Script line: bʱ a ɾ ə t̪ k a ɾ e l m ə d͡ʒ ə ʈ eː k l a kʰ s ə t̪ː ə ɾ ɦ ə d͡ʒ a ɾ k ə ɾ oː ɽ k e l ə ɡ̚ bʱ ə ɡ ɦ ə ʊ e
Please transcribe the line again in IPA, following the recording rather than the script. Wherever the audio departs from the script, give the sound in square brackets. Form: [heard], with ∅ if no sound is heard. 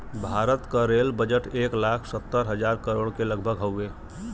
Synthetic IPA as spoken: bʱ a ɾ ə t̪ k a ɾ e l [b] ə d͡ʒ ə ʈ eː k l a kʰ s ə t̪ː ə ɾ ɦ ə d͡ʒ a ɾ k ə ɾ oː ɽ k e l ə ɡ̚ bʱ ə ɡ ɦ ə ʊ e